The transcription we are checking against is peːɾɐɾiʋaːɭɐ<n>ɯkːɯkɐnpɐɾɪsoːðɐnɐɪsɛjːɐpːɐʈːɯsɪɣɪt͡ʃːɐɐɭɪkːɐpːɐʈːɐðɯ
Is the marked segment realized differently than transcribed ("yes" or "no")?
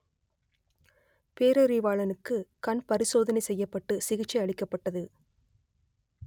no